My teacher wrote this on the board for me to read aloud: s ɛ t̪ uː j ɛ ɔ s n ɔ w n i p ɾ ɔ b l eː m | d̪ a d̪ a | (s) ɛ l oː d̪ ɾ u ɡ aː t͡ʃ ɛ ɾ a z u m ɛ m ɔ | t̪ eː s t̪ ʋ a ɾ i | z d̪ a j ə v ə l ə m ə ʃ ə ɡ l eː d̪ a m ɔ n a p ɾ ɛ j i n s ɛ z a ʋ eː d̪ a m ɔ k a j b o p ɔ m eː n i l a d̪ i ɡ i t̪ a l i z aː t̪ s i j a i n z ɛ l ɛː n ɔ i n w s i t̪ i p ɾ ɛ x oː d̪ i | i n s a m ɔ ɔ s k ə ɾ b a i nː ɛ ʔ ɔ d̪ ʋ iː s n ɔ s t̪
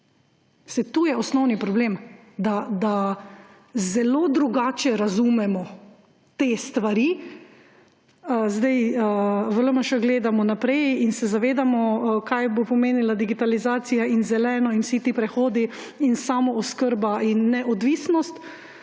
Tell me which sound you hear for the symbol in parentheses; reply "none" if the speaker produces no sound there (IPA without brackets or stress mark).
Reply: z